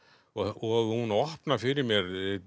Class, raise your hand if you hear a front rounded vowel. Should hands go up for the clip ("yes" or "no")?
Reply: no